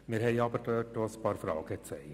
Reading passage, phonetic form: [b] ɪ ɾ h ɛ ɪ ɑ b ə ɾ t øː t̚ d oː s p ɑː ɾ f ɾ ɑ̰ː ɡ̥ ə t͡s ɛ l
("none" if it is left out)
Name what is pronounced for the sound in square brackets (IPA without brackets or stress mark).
m